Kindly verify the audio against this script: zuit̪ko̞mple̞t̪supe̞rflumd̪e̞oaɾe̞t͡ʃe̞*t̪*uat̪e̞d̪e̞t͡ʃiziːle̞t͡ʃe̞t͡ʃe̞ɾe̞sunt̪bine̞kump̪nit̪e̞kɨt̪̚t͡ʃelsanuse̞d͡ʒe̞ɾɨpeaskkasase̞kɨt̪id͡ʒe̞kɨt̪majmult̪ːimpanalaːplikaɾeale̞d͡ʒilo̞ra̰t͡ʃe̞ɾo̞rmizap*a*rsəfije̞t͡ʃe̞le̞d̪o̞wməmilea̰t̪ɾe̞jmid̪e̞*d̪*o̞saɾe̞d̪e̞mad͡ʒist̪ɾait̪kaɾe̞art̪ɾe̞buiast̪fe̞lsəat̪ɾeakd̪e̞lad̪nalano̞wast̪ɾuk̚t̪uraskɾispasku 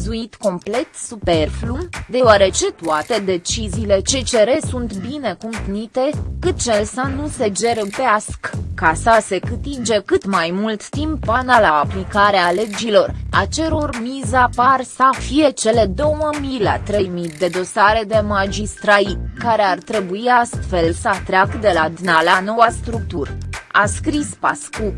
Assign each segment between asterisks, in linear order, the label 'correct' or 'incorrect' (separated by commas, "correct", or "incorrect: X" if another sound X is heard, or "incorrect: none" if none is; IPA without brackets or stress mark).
correct, correct, correct